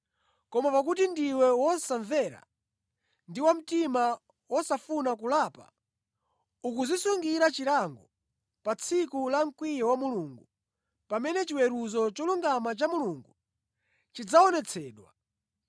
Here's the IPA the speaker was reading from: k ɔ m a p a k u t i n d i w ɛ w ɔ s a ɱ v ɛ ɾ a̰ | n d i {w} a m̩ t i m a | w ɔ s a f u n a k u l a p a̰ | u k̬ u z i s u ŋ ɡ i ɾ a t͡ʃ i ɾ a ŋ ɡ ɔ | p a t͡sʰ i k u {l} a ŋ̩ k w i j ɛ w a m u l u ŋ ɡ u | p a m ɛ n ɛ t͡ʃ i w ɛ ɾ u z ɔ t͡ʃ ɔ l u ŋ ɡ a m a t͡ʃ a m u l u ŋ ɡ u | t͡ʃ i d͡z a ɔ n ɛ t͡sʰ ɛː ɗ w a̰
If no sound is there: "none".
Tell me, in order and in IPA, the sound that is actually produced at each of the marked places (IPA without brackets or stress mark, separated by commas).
w, l